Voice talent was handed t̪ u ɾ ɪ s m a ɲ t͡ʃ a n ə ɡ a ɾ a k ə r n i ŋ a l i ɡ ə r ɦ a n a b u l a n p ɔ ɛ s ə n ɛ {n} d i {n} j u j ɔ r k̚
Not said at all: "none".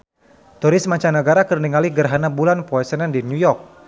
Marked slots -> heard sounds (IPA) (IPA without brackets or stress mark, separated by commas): n, n